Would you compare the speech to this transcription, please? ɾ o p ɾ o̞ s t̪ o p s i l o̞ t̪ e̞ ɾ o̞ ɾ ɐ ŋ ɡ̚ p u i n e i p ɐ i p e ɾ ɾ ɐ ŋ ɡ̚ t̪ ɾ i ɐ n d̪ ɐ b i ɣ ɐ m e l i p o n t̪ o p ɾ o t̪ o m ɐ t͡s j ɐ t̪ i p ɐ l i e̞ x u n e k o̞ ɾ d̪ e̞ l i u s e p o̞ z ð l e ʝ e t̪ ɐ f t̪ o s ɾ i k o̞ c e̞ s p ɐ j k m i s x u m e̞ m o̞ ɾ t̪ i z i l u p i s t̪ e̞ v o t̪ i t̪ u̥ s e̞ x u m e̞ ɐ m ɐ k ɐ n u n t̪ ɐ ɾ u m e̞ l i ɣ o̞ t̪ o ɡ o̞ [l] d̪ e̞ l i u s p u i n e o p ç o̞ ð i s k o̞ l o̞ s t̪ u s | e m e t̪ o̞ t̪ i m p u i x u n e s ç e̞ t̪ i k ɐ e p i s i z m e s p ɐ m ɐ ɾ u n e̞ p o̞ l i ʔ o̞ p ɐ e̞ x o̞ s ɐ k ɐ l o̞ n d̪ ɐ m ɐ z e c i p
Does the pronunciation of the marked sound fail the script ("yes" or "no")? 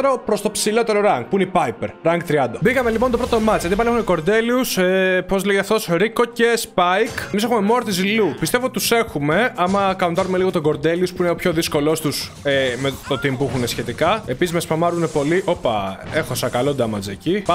yes